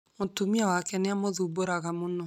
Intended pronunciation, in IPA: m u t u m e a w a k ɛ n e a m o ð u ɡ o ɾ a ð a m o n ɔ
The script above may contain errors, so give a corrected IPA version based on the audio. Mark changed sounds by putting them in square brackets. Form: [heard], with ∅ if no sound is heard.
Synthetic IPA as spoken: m [o] t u m [i] a w a k ɛ n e a m o ð u [b] o ɾ a [ɣ] a m o n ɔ